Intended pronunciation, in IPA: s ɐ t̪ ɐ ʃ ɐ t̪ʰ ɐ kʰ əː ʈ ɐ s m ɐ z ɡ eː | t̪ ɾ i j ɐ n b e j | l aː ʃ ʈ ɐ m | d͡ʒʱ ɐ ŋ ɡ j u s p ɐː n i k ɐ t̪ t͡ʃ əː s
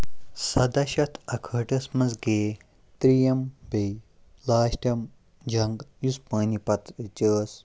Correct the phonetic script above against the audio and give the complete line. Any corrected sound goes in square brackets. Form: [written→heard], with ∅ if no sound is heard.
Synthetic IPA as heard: s ɐ [t̪→d̪] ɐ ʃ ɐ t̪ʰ ɐ kʰ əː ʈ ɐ s m ɐ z ɡ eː | t̪ ɾ i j ɐ [n→m] b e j | l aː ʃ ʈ ɐ m | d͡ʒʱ ɐ ŋ ɡ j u s p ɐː n i [k→p] ɐ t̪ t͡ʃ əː s